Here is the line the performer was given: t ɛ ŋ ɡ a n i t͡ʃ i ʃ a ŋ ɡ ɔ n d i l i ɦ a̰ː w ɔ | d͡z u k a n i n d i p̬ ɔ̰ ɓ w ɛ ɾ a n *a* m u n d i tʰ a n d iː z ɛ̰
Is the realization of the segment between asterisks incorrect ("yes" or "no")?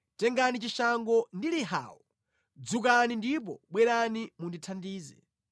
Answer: yes